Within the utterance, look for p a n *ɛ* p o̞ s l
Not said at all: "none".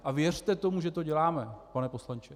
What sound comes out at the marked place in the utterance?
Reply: ɛ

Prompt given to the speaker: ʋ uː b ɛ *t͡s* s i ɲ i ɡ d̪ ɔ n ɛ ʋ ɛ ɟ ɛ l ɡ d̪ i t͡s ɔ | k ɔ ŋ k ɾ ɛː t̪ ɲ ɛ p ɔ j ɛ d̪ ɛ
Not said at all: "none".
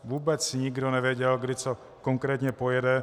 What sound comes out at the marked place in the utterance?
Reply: t͡s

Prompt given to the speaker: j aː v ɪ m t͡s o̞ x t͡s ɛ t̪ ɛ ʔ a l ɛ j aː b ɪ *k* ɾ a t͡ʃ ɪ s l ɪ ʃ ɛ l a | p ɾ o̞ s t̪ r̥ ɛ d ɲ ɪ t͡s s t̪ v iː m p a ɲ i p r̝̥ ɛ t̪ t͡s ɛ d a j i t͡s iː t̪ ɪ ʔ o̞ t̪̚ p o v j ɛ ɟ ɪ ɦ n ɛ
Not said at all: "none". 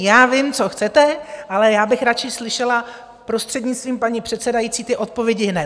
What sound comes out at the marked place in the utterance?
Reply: x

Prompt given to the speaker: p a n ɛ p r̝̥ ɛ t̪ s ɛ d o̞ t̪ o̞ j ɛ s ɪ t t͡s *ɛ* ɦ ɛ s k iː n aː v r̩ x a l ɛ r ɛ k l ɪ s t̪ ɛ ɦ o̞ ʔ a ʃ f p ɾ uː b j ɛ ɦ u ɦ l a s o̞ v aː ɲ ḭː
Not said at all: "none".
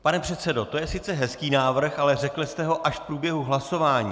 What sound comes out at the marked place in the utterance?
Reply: ɛ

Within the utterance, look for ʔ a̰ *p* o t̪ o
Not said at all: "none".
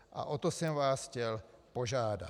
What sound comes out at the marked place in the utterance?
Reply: ʔ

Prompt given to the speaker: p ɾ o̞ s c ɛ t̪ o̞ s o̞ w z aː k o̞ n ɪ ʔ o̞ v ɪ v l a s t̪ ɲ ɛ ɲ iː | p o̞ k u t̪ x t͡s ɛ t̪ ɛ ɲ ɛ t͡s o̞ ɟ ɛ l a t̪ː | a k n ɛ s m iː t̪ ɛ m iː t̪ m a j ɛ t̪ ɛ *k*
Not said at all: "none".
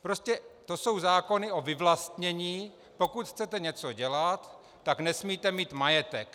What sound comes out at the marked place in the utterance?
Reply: k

